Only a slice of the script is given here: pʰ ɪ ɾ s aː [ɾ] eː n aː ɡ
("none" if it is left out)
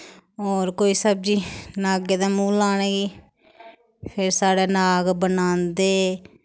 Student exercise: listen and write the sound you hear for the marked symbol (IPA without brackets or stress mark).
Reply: ɽ